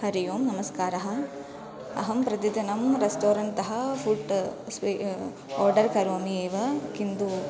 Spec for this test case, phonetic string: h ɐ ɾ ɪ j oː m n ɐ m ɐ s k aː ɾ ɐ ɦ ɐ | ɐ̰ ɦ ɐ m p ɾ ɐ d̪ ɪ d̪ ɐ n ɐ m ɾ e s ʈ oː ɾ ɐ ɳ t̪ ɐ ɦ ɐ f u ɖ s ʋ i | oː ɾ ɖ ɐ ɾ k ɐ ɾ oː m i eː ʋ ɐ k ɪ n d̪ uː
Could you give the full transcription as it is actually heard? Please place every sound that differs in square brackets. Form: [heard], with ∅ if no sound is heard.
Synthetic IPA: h ɐ ɾ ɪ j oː m n ɐ m ɐ s k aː ɾ ɐ ɦ ɐ | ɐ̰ ɦ ɐ m p ɾ ɐ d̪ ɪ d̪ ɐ n ɐ m ɾ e s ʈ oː ɾ ɐ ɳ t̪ ɐ ɦ ɐ f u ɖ s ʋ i | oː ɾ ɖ ɐ ɾ k ɐ ɾ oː m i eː ʋ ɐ k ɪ n d̪ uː